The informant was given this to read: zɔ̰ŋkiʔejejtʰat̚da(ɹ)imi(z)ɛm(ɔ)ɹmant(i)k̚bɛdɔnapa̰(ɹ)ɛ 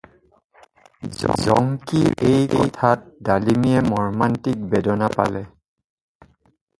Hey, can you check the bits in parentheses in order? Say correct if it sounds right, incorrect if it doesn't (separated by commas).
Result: incorrect, incorrect, correct, correct, incorrect